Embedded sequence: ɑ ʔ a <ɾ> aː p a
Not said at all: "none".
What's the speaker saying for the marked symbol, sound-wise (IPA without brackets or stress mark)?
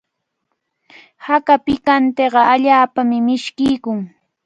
ʎ